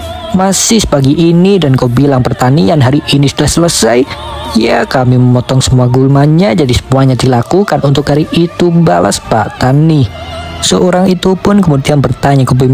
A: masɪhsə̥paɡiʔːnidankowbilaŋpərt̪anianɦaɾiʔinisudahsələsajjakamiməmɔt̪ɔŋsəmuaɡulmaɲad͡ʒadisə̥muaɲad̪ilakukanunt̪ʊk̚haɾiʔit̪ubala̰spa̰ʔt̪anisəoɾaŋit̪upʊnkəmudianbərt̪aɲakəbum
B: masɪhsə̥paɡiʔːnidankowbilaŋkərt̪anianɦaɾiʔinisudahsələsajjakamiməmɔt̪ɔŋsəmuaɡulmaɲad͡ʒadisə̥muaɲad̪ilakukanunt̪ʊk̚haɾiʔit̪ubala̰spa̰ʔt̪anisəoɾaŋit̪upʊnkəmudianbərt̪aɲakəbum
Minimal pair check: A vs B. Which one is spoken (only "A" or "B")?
A